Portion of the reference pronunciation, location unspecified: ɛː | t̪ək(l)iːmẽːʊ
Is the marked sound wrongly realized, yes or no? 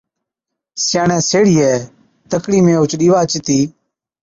yes